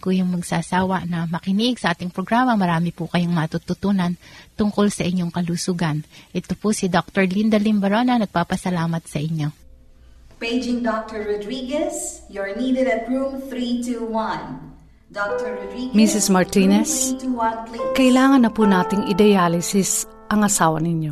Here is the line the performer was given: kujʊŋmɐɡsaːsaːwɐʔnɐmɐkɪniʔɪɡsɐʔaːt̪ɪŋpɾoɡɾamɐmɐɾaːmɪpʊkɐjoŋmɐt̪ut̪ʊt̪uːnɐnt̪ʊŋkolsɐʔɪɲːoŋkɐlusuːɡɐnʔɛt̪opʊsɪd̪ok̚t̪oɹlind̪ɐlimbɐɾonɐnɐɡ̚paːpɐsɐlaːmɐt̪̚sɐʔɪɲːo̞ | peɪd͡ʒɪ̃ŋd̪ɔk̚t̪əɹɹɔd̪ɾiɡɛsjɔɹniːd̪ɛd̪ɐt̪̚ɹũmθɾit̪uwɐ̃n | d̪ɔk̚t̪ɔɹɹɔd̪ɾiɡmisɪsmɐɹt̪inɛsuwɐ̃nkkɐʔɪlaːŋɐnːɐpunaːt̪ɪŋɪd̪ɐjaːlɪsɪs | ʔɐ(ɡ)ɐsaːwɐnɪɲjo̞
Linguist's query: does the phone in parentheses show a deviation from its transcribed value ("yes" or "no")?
yes